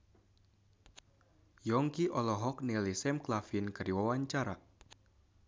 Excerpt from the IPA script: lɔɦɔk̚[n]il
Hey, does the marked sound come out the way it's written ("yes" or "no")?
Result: yes